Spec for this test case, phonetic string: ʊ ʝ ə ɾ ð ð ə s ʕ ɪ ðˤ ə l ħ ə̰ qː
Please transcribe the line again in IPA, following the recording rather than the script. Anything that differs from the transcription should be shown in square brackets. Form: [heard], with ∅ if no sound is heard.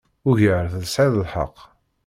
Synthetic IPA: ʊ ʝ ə ɾ [θ] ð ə s ʕ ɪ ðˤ ə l ħ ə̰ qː